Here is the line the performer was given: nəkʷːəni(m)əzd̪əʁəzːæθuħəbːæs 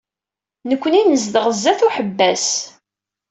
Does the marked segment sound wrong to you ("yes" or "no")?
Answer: yes